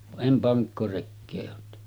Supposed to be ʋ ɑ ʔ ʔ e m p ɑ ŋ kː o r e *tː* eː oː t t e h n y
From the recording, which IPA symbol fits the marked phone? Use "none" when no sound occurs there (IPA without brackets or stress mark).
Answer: kː